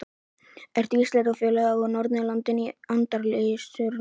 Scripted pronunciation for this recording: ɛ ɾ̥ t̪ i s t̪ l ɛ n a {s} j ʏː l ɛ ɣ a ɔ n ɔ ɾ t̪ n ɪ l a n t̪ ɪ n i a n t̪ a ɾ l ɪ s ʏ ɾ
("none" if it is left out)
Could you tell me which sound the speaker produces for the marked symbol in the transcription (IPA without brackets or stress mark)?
f